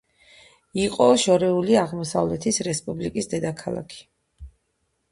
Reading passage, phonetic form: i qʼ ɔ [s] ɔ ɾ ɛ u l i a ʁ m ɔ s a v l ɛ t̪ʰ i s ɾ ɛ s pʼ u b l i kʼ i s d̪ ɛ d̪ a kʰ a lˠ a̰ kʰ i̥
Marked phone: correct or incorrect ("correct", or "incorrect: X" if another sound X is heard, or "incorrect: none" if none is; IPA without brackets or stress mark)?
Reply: incorrect: ʃ